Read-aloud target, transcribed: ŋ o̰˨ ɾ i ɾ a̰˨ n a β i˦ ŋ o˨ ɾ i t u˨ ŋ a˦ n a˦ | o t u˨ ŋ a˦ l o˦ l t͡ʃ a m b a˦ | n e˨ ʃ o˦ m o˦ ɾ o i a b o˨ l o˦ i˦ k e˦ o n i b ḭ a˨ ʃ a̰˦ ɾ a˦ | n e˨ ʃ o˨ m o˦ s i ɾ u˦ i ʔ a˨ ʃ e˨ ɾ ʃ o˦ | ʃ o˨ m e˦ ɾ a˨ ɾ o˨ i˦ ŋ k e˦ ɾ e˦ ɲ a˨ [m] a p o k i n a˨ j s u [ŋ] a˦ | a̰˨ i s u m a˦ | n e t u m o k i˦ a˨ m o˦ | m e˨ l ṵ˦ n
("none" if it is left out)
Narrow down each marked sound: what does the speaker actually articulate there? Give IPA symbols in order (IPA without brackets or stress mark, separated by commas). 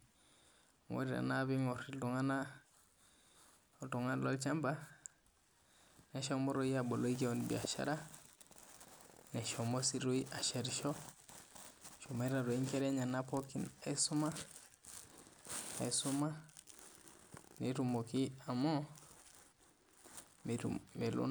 n, m